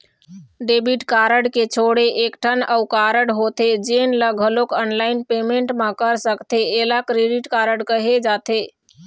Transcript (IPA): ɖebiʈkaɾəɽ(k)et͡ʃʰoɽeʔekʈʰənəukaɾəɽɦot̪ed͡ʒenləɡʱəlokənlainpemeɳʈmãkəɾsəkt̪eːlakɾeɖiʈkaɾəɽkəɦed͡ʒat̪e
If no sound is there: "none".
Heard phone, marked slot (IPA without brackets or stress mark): k